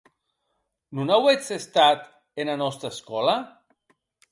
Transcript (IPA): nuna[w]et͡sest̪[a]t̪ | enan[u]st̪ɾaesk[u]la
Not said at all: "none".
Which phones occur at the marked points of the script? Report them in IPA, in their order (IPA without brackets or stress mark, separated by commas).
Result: w, a, ɔ, ɔ